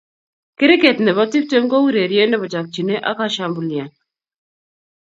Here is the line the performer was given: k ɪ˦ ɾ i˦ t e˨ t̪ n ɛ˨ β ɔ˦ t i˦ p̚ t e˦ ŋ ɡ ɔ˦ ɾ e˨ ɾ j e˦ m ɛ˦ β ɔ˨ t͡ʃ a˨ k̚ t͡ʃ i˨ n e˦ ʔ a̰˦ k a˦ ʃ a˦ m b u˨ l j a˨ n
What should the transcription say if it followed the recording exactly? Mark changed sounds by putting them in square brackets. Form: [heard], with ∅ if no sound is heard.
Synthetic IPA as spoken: k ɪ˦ ɾ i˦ [k] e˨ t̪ n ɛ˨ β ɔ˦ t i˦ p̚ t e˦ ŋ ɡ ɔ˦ ɾ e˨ ɾ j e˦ [n] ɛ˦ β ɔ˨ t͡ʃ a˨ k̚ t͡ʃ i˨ n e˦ ʔ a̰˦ k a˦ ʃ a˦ m b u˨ l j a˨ n